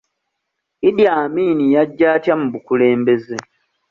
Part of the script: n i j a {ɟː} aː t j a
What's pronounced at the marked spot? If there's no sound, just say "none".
ɟː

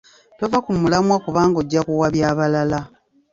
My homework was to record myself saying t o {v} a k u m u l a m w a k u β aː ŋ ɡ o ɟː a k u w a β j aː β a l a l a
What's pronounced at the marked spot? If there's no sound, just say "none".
v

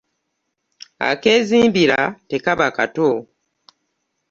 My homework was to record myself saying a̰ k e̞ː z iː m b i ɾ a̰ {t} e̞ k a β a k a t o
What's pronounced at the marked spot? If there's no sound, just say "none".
t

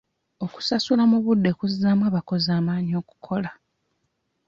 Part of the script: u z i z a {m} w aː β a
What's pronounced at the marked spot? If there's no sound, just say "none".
m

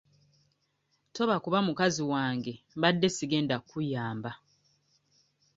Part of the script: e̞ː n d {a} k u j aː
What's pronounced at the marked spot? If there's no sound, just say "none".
a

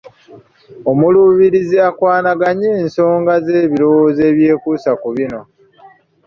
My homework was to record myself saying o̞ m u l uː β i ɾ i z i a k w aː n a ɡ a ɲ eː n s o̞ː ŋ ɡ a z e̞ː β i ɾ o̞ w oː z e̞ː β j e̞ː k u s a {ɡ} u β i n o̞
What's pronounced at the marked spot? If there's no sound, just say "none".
k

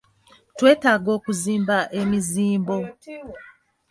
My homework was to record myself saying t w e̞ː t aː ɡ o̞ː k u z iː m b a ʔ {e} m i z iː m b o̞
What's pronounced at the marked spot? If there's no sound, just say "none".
e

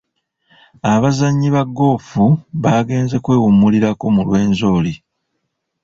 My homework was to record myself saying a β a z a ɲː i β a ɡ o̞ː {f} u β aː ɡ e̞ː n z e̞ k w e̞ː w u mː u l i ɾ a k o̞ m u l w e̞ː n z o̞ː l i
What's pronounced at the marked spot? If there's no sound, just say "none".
f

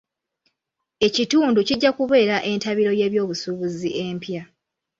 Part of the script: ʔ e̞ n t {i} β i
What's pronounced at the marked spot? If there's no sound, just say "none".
a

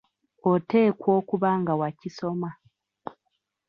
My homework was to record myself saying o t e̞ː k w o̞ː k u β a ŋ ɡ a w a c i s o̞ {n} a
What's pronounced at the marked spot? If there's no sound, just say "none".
m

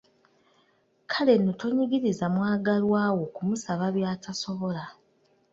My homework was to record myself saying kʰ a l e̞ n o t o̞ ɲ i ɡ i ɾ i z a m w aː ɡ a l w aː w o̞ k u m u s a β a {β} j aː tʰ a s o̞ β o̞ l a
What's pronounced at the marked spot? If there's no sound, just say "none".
β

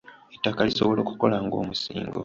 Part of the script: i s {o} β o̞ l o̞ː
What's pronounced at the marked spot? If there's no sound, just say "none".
o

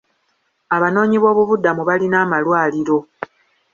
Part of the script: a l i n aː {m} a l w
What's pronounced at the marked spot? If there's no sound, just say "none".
m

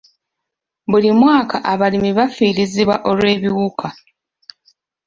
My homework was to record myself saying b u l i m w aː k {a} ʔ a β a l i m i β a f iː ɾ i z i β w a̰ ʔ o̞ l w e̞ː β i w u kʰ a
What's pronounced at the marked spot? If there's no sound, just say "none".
a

